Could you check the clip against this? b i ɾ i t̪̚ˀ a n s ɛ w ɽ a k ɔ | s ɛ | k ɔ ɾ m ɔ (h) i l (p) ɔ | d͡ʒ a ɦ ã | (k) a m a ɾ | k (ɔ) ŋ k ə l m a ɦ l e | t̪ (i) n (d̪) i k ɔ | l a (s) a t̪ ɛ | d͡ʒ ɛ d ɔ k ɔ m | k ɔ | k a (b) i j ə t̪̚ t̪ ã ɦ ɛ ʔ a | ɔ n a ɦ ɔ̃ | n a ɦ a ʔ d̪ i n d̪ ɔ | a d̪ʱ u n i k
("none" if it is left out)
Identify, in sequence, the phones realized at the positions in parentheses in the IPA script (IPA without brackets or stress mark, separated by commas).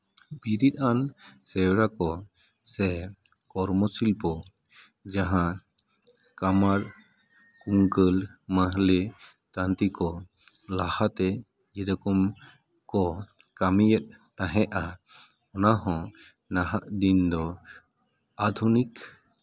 s, p, k, u, a, t̪, h, m